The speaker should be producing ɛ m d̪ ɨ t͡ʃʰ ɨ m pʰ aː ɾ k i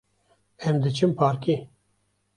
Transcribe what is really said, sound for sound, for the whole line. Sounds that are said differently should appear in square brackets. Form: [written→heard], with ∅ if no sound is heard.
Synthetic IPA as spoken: ɛ m d̪ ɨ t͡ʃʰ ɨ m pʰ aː ɾ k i